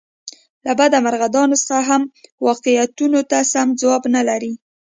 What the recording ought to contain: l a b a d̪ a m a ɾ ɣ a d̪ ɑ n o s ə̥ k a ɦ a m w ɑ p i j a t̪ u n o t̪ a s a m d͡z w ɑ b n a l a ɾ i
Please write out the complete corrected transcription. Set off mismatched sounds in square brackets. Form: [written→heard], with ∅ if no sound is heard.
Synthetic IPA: l a b a d̪ a m a ɾ ɣ a d̪ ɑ n o s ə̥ [k→x] a ɦ a m w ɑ [p→q] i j a t̪ u n o t̪ a s a m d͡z w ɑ b n a l a ɾ i

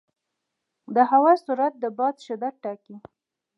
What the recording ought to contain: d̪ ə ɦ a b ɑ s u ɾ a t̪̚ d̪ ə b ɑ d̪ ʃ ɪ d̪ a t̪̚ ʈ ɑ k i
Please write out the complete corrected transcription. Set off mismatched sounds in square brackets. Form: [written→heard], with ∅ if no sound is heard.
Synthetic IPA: d̪ ə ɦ a [b→w] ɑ s u ɾ a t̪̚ d̪ ə b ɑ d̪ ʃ ɪ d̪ a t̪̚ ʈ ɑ k i

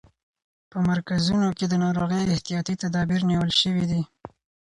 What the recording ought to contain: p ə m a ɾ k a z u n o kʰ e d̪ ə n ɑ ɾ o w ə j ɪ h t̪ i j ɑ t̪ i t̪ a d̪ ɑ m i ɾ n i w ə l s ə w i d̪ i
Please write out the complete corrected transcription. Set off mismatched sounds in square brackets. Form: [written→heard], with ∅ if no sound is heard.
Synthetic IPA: p ə m a ɾ k a z u n o [kʰ→k] e d̪ ə n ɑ ɾ o [w→ɣ] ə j ɪ h t̪ i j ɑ t̪ i t̪ a d̪ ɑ [m→b] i ɾ n i w ə l [s→ʃ] ə w i d̪ i

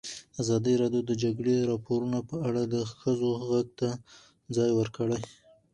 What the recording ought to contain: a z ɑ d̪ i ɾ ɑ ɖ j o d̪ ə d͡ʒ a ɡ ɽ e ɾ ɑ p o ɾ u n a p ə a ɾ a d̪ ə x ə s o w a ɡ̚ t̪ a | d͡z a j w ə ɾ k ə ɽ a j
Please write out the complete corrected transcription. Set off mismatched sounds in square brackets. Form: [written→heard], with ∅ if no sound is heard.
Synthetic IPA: a z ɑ d̪ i ɾ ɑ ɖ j o d̪ ə d͡ʒ a ɡ ɽ e ɾ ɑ p o ɾ u n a p ə a [ɾ→ɽ] a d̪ ə x ə [s→z] o [w→ɣ] a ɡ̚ t̪ a | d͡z [a→ɑ] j w ə ɾ k ə ɽ a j

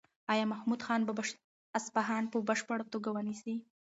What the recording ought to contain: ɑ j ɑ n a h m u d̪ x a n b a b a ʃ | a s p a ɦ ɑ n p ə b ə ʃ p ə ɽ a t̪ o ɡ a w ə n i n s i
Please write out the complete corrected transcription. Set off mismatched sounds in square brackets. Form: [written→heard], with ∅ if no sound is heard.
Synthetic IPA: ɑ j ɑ [n→m] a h m u d̪ x [a→ɑ] n b a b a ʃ | a s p a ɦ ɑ n p ə b ə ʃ p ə ɽ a t̪ o ɡ a w ə n i [n→∅] s i

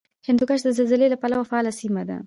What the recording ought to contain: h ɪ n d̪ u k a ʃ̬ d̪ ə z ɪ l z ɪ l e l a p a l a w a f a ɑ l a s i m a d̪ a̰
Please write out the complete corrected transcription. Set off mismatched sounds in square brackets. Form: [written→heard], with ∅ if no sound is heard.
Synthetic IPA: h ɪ n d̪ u k a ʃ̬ d̪ ə z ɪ l z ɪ l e l a p a l a w a f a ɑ l a s i m a d̪ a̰

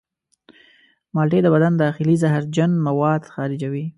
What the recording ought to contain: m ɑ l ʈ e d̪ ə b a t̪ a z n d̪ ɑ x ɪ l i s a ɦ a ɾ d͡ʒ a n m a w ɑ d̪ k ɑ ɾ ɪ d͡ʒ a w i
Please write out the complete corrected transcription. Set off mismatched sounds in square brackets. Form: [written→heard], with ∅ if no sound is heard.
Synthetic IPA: m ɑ l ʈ e d̪ ə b a [t̪→d̪] a [z→∅] n d̪ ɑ x ɪ l i [s→z] a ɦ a ɾ d͡ʒ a n m a w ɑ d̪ [k→x] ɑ ɾ ɪ d͡ʒ a w i

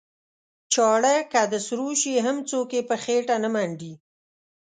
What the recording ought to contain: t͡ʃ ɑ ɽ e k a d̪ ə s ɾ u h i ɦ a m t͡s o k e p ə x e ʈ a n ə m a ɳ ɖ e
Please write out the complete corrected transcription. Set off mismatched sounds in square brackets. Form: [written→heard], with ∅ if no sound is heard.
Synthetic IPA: t͡ʃ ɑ ɽ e k a d̪ ə s ɾ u [h→ʃ] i ɦ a m t͡s o k e p ə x e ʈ a n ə m a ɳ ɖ [e→i]

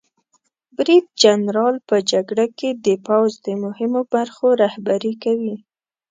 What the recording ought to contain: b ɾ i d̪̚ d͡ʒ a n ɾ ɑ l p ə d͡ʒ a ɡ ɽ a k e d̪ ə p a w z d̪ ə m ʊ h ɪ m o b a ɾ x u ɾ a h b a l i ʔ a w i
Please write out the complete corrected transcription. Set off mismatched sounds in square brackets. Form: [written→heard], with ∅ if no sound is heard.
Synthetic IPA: b ɾ i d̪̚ d͡ʒ a n ɾ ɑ l p ə d͡ʒ a ɡ ɽ a k e d̪ ə p a w z d̪ ə m ʊ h ɪ m o b a ɾ x [u→o] ɾ a h b a [l→ɾ] i [ʔ→k] a w i

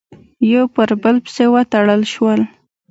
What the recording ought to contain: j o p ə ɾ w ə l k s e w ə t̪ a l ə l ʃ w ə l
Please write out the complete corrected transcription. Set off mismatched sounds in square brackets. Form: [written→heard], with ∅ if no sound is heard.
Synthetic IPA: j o p ə ɾ [w→b] ə l [k→p] s e w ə t̪ a [l→ɽ] ə l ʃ w ə l

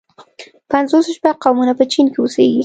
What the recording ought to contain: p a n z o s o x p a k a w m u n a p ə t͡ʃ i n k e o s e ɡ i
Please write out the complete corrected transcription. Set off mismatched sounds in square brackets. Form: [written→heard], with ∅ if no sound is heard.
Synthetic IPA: p a n z o s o [x→ʃ] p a [k→q] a w m u n a p ə t͡ʃ i n k e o s e ɡ i

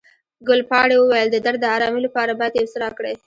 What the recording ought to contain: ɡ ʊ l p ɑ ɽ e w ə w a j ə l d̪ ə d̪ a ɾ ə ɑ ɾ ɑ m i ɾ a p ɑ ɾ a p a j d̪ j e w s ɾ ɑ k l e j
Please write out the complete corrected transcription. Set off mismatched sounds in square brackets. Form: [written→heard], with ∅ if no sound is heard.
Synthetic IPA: ɡ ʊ l p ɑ ɽ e w ə w a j ə l d̪ ə d̪ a ɾ ə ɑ ɾ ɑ m i [ɾ→l] a p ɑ ɾ a [p→b] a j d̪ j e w s ɾ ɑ k [l→ɽ] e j

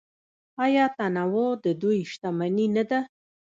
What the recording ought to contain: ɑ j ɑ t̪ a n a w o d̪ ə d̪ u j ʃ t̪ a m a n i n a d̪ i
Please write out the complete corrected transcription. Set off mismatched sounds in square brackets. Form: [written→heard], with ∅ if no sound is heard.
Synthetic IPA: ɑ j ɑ t̪ a n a w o d̪ ə d̪ u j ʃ t̪ a m a n i n a d̪ [i→a]

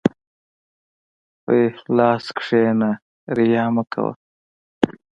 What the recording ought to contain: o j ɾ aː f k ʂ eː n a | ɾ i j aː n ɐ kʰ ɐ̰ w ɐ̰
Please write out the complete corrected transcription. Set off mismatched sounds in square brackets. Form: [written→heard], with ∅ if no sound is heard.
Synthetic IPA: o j [ɾ→l] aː [f→s] k ʂ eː n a | ɾ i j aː [n→m] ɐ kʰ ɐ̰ w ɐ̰

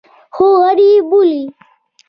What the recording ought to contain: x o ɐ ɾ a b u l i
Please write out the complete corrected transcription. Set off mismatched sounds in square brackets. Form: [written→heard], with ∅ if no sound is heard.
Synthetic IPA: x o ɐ ɾ [a→i] b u l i

